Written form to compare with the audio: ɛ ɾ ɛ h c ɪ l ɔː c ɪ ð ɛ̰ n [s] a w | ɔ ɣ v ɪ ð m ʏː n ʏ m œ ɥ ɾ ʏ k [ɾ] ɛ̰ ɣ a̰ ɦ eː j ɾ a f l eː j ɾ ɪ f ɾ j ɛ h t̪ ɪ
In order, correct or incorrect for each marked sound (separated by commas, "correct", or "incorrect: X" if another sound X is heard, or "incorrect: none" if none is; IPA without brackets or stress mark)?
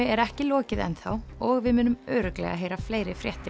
incorrect: θ, incorrect: l